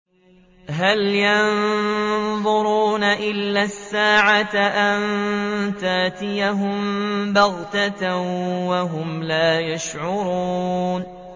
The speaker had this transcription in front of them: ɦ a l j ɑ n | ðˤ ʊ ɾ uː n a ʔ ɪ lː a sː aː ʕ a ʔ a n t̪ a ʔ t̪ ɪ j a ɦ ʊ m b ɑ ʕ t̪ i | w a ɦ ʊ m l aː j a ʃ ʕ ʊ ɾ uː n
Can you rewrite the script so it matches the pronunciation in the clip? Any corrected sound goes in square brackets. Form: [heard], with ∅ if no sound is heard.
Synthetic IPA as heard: ɦ a l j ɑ n | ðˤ ʊ ɾ uː n a ʔ ɪ lː a sː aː ʕ a ʔ a n t̪ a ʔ t̪ ɪ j a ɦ ʊ m b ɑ [ɣ] t̪ [a] | w a ɦ ʊ m l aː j a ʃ ʕ ʊ ɾ uː n